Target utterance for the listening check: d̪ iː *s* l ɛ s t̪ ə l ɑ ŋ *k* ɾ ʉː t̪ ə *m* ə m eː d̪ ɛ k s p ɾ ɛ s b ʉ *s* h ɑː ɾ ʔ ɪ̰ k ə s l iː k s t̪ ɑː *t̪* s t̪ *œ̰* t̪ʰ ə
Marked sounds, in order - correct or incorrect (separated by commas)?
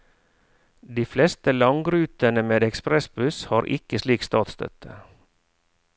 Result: incorrect, incorrect, incorrect, correct, correct, correct